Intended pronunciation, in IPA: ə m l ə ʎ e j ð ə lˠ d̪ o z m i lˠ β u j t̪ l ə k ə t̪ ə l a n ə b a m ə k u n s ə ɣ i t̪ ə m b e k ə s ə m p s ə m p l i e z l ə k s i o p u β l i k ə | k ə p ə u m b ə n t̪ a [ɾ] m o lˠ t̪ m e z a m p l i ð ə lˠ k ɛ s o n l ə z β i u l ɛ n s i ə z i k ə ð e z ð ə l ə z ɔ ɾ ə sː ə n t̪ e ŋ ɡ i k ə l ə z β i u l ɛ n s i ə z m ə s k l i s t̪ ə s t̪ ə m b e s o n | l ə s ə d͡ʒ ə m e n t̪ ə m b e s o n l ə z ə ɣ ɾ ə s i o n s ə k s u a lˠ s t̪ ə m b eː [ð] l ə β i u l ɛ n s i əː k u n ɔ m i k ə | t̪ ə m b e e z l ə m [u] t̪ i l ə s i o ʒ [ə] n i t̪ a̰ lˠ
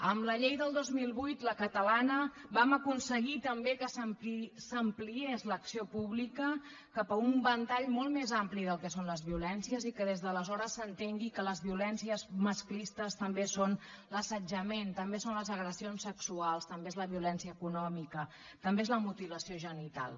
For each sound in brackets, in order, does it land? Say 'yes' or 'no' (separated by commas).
no, no, yes, yes